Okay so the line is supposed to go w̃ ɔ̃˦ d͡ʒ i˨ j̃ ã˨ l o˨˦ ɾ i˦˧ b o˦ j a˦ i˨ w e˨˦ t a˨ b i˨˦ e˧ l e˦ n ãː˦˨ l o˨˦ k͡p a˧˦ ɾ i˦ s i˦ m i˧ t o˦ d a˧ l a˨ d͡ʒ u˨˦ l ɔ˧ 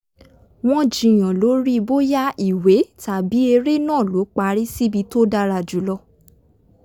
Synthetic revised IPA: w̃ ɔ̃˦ d͡ʒ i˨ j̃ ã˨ l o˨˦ ɾ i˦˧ b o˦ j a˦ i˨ w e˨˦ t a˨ b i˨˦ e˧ ɾ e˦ n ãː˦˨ l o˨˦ k͡p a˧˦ ɾ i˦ s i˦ b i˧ t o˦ d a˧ ɾ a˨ d͡ʒ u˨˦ l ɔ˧